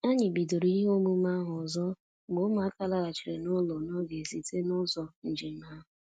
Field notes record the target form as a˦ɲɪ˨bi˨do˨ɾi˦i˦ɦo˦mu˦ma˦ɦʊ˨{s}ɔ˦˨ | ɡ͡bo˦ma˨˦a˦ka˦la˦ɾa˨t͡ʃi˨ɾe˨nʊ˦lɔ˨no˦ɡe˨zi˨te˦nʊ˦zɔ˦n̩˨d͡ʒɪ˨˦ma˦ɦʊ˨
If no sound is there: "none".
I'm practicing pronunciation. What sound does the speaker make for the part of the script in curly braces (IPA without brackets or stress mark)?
z